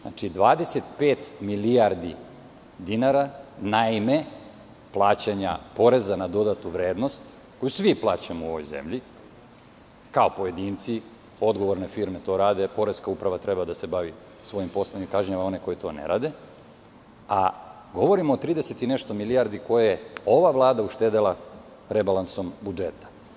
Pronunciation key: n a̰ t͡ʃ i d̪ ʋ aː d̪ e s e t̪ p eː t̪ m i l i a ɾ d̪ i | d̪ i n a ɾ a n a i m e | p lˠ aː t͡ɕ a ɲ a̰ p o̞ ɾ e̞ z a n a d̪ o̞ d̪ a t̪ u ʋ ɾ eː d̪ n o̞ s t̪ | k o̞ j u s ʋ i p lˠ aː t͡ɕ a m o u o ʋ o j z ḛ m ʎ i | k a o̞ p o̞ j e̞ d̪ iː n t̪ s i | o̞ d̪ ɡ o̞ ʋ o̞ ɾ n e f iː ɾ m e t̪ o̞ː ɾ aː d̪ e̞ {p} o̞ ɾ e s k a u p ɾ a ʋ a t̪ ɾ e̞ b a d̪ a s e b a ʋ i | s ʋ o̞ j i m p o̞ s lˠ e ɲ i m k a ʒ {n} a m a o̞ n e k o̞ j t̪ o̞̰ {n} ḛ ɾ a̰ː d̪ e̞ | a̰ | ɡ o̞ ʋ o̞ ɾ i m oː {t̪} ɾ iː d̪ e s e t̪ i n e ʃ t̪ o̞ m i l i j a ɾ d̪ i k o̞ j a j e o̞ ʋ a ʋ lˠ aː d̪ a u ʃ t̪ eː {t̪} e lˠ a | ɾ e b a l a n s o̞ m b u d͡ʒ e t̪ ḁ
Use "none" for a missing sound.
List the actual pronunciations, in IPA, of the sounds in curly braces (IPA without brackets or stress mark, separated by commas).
p, ɲ, n, t̪, d̪